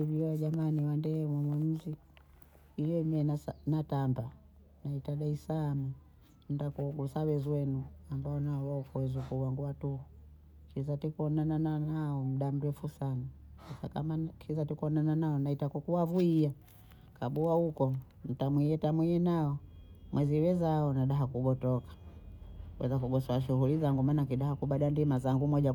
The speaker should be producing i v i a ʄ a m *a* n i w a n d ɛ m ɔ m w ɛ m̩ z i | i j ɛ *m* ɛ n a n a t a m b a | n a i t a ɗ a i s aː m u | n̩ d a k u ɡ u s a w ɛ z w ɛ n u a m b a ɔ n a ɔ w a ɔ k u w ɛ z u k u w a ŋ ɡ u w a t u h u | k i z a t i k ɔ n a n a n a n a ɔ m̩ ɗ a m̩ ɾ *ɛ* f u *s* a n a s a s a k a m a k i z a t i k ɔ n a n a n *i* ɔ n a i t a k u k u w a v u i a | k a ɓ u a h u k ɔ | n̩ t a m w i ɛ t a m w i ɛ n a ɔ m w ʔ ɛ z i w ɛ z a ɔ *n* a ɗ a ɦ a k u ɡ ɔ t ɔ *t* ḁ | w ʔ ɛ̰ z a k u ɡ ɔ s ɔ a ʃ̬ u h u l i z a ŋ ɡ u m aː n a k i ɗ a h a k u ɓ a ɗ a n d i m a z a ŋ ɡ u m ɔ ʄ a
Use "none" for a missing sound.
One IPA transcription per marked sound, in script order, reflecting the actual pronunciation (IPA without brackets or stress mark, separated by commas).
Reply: a, m, ɛ, s, a, n, k